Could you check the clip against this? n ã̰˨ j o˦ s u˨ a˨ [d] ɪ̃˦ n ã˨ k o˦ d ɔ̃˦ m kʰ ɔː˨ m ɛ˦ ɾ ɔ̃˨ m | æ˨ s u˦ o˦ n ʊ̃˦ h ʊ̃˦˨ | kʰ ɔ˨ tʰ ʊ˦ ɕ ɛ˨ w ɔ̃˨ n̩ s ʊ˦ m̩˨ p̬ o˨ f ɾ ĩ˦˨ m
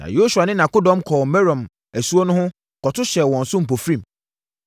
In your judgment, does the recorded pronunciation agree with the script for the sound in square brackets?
no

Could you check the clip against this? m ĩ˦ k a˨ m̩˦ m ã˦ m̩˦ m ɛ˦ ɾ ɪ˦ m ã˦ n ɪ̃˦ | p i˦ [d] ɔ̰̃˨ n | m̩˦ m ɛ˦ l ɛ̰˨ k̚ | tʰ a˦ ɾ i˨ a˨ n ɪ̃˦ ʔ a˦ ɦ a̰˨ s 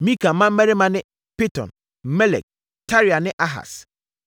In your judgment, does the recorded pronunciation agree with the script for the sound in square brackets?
no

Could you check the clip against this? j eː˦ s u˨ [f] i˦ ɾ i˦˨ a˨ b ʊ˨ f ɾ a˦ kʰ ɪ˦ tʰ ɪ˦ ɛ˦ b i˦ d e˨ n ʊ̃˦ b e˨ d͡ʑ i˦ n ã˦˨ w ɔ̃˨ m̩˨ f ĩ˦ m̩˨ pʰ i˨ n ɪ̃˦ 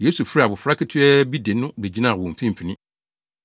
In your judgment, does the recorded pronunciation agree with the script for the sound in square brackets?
yes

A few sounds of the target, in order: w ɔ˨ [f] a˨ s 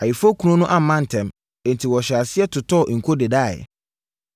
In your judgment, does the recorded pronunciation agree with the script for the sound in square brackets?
no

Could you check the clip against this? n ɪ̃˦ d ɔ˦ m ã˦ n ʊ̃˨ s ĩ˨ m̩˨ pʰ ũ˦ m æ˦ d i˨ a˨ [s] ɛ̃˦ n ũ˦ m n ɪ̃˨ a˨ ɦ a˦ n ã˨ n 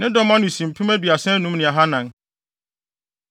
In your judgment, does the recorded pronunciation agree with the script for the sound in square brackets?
yes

